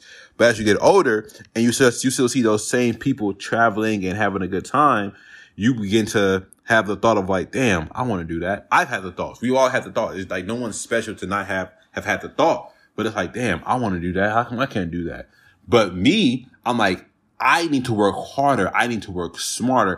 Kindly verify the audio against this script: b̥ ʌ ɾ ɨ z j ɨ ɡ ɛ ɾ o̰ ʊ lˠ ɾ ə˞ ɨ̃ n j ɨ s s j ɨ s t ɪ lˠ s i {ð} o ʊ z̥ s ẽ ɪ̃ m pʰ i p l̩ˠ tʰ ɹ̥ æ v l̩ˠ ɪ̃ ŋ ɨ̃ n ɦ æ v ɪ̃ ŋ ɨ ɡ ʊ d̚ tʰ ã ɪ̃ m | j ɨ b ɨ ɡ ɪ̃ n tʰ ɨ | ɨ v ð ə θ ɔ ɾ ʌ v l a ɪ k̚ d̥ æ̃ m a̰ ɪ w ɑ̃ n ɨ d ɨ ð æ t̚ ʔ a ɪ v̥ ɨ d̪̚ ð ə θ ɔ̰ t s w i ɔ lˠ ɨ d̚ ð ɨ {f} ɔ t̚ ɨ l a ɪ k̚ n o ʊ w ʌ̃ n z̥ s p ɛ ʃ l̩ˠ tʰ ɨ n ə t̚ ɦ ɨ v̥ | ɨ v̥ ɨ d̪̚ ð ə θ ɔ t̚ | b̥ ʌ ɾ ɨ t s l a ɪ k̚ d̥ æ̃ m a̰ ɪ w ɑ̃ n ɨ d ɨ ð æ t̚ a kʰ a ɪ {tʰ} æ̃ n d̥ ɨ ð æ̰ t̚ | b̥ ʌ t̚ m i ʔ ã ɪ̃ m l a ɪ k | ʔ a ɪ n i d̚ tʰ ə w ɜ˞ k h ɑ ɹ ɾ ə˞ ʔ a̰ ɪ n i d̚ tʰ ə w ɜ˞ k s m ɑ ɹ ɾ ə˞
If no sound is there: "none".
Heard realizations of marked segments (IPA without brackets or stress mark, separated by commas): ð, θ, kʰ